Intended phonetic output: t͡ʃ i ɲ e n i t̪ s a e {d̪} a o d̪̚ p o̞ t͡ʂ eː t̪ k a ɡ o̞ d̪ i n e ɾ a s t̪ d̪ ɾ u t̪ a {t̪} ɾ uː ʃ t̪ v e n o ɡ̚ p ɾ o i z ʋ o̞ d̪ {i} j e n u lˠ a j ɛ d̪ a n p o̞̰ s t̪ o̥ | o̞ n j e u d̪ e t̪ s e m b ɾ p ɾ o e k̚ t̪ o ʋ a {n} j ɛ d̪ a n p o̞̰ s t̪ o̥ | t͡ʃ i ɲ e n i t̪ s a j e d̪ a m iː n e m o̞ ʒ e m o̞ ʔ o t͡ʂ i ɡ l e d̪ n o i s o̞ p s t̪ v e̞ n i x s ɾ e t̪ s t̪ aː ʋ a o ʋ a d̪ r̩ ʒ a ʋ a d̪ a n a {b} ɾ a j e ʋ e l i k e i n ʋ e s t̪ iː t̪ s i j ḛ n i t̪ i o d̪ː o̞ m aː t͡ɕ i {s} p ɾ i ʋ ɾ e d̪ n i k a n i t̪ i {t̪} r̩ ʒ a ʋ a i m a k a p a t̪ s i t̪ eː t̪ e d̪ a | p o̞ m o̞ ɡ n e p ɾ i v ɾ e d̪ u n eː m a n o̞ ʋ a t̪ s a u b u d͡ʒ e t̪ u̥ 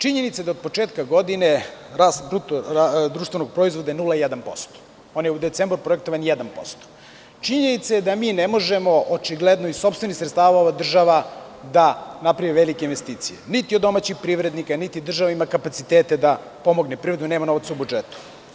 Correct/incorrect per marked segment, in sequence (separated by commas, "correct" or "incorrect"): correct, incorrect, incorrect, correct, incorrect, incorrect, incorrect